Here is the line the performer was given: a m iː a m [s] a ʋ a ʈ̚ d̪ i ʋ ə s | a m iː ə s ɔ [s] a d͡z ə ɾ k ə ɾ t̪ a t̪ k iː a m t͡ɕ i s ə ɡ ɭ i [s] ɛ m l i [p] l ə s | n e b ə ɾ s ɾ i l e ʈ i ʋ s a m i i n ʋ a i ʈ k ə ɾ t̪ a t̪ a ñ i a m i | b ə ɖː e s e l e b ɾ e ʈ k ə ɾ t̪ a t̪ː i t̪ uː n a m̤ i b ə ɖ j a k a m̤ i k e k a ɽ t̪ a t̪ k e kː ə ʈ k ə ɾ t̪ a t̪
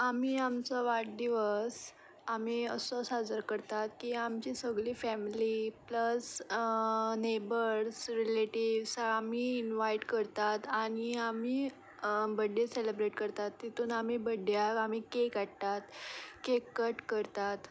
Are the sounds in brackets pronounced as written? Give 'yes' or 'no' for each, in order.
no, yes, no, yes

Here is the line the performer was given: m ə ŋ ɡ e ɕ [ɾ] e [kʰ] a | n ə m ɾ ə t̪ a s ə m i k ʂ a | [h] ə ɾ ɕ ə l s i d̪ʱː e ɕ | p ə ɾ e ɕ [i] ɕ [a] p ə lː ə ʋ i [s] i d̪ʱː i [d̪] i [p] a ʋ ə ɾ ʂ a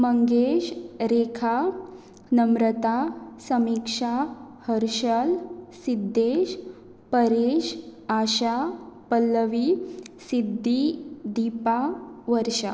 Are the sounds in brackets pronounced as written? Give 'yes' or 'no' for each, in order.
yes, yes, yes, no, yes, yes, yes, yes

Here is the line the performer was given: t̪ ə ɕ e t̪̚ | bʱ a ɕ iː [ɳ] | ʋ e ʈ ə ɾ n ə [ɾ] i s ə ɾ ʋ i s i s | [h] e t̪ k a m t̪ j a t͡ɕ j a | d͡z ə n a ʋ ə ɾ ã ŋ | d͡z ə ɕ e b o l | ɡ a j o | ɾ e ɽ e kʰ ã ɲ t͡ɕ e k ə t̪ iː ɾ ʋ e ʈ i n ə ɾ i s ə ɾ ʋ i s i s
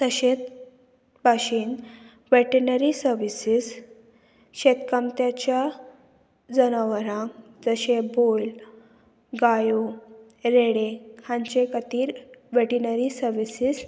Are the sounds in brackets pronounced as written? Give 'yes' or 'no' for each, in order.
no, yes, no

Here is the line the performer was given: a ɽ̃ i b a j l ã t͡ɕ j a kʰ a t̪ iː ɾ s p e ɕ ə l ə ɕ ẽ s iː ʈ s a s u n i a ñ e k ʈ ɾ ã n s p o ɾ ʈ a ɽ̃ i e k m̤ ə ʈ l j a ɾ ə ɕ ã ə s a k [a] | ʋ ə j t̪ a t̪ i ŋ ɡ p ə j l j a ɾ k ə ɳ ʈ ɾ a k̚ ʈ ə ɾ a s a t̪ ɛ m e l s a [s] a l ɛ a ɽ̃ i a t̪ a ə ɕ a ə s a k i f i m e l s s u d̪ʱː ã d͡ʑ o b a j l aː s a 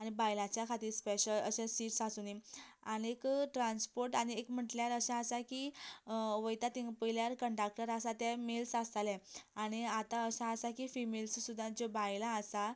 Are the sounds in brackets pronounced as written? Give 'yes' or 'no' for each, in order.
no, yes

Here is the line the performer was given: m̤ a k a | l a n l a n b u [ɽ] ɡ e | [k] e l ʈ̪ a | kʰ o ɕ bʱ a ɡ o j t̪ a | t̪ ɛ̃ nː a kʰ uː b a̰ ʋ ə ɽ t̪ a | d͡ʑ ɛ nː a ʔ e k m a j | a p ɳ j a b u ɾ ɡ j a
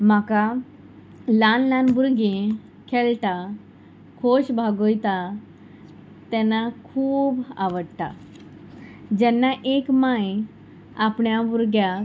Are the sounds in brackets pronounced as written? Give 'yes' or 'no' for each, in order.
no, no

